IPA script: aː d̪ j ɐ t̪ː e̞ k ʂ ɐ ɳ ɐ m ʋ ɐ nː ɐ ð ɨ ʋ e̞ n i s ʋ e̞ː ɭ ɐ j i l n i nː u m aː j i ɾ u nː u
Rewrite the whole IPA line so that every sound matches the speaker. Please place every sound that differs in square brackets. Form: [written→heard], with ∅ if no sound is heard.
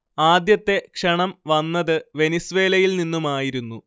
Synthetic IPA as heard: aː d̪ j ɐ t̪ː e̞ k ʂ ɐ ɳ ɐ m ʋ ɐ nː ɐ ð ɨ ʋ e̞ n i s ʋ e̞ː [ɭ→l] ɐ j i l n i nː u m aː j i ɾ u nː u